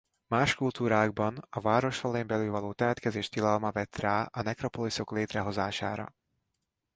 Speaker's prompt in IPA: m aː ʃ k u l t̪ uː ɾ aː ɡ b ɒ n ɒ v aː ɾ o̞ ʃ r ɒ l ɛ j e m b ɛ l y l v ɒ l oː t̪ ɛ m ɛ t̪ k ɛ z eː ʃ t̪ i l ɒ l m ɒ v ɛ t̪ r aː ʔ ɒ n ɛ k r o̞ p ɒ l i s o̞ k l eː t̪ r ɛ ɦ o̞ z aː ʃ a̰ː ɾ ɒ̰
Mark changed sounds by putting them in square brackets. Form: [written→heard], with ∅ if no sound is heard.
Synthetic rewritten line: m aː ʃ k u l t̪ uː ɾ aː ɡ b ɒ n ɒ v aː ɾ o̞ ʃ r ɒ l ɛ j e m b ɛ l y l v ɒ l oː t̪ ɛ m ɛ t̪ k ɛ z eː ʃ t̪ i l ɒ l m ɒ v ɛ t̪ r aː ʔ ɒ n ɛ k r o̞ p [ɒ→o] l i s o̞ k l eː t̪ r ɛ ɦ o̞ z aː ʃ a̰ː ɾ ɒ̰

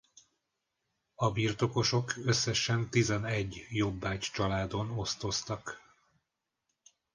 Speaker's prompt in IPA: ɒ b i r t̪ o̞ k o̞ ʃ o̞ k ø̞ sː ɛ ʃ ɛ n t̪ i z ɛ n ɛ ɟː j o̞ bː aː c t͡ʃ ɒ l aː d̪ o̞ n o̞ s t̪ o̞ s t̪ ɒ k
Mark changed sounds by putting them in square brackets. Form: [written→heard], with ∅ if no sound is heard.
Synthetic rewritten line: ɒ b i r t̪ o̞ k o̞ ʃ o̞ k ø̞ sː ɛ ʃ ɛ n t̪ i z ɛ n ɛ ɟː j o̞ bː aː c t͡ʃ ɒ l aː d̪ o̞ n o̞ s t̪ o̞ s t̪ ɒ k

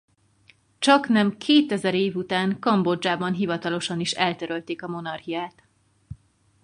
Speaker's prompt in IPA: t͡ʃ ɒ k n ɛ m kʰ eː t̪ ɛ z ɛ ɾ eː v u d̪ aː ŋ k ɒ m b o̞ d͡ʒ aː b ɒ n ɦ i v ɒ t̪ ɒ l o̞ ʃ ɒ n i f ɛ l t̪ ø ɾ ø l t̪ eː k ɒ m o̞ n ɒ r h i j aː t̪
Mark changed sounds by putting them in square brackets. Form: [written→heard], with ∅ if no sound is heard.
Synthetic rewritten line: t͡ʃ ɒ k n ɛ m kʰ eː t̪ ɛ z ɛ ɾ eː v u [d̪→t̪] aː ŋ k ɒ m b o̞ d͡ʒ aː b ɒ n ɦ i v ɒ t̪ ɒ l o̞ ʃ ɒ n i [f→ʃ] ɛ l t̪ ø ɾ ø l t̪ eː k ɒ m o̞ n ɒ r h i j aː t̪

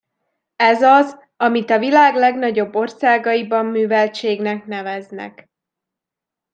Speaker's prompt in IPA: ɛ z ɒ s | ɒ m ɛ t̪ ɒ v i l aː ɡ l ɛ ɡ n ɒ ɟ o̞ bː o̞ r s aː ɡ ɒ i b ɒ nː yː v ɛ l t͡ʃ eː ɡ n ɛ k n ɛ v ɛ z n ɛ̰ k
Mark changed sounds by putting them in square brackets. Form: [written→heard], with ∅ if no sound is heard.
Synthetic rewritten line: ɛ z ɒ [s→z] | ɒ m [ɛ→i] t̪ ɒ v i l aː ɡ l ɛ ɡ n ɒ ɟ o̞ bː o̞ r s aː ɡ ɒ i b ɒ [nː→mː] yː v ɛ l t͡ʃ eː ɡ n ɛ k n ɛ v ɛ z n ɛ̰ k

